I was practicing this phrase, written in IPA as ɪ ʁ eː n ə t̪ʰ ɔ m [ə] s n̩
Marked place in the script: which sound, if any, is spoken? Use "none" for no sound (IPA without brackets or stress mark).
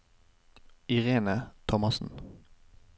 ɑ